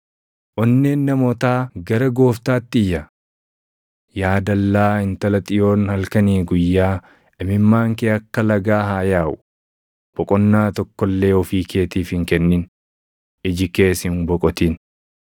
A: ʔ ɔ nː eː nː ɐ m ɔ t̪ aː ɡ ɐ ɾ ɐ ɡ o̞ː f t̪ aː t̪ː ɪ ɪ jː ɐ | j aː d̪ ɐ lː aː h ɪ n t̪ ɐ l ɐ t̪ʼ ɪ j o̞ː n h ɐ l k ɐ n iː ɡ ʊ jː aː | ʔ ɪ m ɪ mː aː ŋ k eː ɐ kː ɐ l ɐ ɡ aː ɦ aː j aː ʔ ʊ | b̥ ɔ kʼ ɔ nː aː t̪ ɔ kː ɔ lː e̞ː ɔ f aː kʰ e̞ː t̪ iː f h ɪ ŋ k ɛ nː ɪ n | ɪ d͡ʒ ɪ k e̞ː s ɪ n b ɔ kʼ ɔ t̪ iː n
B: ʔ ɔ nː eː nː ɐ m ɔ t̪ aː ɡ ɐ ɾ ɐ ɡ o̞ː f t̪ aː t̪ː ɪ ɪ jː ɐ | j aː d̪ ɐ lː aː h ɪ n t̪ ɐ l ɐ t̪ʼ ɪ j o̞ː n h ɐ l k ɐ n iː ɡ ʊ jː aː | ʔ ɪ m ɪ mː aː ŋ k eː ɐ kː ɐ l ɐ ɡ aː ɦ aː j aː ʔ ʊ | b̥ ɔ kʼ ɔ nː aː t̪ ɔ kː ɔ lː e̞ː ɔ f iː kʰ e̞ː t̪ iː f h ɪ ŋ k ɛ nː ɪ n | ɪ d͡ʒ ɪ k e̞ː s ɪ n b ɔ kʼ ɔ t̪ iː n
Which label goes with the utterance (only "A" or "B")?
B